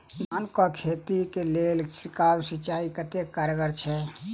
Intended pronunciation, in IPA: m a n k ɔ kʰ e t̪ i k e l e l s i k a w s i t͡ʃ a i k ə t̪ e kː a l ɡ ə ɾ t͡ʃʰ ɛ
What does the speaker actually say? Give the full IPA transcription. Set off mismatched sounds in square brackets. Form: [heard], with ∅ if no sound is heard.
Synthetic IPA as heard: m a n k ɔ kʰ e t̪ i k e l e l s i k a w s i t͡ʃ a i k ə t̪ e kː a [ɾ] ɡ ə ɾ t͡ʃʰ ɛ